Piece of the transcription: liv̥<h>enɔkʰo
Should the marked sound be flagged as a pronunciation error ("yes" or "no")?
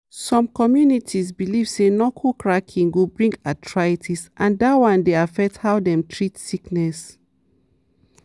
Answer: yes